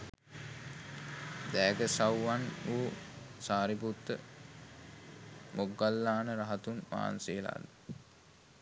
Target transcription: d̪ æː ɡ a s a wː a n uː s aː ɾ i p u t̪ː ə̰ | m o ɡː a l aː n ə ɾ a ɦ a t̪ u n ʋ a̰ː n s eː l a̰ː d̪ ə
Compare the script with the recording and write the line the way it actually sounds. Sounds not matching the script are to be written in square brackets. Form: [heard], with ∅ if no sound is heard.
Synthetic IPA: d̪ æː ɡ [ə] s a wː a n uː s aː ɾ i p u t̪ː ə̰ | m o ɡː a [lː] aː n ə ɾ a ɦ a t̪ u n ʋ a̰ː n s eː l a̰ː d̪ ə